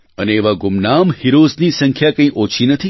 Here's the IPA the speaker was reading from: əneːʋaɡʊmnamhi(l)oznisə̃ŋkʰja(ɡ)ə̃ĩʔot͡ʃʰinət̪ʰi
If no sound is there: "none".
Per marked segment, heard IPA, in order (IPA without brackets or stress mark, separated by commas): ɾ, k